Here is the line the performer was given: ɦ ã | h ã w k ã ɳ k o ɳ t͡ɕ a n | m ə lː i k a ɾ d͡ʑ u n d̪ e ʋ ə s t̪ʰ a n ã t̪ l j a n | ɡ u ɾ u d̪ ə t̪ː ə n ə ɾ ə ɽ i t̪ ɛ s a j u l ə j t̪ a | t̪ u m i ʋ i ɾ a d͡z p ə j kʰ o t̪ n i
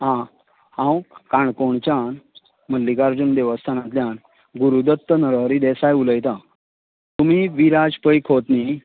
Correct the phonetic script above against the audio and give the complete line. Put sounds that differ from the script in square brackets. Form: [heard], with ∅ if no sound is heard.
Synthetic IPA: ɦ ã | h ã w k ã ɳ k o ɳ t͡ɕ a n | m ə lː i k a ɾ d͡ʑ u n d̪ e ʋ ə s t̪ʰ a n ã t̪ l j a n | ɡ u ɾ u d̪ ə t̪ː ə n ə ɾ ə [ɾ] i [d̪] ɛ s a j u l ə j t̪ a | t̪ u m i ʋ i ɾ a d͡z p ə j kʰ o t̪ n i

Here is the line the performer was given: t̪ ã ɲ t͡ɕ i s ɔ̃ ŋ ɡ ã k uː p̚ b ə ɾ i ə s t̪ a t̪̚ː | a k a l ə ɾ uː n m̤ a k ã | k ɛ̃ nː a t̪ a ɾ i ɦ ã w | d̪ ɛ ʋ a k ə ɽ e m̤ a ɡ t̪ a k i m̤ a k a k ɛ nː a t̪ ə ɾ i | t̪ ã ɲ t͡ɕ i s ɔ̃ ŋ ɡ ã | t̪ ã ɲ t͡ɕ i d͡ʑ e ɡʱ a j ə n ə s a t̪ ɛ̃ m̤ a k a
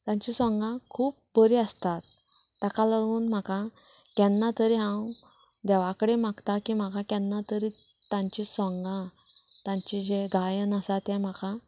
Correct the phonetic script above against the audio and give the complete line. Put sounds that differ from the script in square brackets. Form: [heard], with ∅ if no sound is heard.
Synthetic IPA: t̪ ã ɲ t͡ɕ i s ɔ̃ ŋ ɡ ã [kʰ] uː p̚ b ə ɾ i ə s t̪ a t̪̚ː | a k a l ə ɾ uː n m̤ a k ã | k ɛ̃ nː a t̪ [ə] ɾ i ɦ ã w | d̪ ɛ ʋ a k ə ɽ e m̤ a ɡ t̪ a k i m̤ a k a k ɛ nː a t̪ ə ɾ i | t̪ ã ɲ t͡ɕ i s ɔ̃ ŋ ɡ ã | t̪ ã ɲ t͡ɕ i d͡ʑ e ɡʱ a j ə n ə s a t̪ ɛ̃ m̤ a k a

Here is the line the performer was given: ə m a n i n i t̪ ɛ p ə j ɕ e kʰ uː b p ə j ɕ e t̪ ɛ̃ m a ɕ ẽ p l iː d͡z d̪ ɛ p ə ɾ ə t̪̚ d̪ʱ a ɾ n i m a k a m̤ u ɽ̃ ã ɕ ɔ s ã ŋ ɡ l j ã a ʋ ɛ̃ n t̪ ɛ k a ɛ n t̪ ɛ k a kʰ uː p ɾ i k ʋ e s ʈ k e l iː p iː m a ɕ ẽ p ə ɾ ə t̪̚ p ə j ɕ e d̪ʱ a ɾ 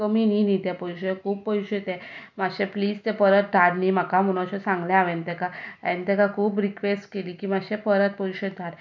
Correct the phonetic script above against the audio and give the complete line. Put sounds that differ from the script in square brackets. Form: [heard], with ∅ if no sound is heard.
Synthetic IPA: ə m [i] n i n i t̪ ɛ p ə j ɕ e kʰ uː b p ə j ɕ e t̪ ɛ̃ m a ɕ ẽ p l iː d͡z [t̪] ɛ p ə ɾ ə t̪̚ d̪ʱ a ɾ n i m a k a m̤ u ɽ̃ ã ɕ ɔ s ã ŋ ɡ l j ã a ʋ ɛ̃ n t̪ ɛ k a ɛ n t̪ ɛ k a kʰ uː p ɾ i k ʋ e s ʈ k e l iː [k] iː m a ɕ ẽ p ə ɾ ə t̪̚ p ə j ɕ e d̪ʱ a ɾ

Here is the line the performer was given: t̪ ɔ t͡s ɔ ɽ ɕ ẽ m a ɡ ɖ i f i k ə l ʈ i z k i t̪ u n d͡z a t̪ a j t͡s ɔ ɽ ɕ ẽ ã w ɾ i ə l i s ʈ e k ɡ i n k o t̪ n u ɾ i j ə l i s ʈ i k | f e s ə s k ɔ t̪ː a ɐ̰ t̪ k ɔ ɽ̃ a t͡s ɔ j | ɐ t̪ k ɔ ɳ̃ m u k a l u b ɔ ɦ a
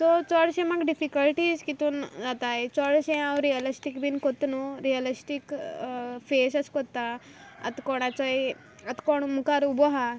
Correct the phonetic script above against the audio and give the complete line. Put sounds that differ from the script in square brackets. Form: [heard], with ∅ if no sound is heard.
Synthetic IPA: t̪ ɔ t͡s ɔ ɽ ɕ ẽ m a ɡ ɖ i f i k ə l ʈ i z k i t̪ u n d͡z a t̪ a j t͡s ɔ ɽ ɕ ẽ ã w ɾ i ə l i s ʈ [i] k [b] i n k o t̪ n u ɾ i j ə l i s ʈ i k | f e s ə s k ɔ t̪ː a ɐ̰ t̪ k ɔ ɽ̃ a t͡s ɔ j | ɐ t̪ k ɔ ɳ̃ m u k a [ɾ] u b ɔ ɦ a

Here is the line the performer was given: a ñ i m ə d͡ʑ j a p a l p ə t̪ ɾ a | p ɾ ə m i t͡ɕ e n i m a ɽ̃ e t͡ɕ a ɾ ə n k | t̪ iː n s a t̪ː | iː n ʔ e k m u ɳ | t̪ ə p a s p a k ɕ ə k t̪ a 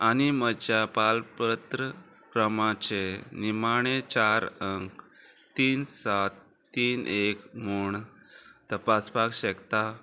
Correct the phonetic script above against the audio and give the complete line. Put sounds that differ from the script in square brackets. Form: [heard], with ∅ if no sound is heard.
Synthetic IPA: a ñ i m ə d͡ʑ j a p a l p ə t̪ ɾ [ə] | [k] ɾ ə m [a] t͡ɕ e n i m a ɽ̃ e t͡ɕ a ɾ ə [ŋ] k | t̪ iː n s a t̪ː | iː n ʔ e k m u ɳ | t̪ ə p a s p a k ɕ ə k t̪ a

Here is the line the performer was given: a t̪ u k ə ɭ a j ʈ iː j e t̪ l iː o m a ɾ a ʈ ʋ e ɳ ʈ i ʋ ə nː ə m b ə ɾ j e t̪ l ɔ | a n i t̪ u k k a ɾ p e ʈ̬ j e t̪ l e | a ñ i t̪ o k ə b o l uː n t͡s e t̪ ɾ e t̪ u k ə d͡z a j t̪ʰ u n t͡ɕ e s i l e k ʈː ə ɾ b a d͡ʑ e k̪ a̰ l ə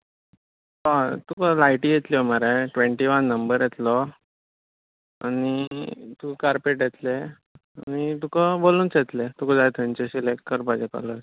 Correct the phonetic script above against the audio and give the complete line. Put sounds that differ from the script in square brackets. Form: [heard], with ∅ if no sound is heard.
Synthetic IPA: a t̪ u k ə [l] a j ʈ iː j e t̪ l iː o m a ɾ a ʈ ʋ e ɳ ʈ i ʋ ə nː ə m b ə ɾ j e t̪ l ɔ | a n i t̪ u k k a ɾ p e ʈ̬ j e t̪ l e | a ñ i t̪ [u] k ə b o l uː n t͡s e t̪ [l] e t̪ u k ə d͡z a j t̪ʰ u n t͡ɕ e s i l e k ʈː ə ɾ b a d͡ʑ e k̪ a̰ l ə

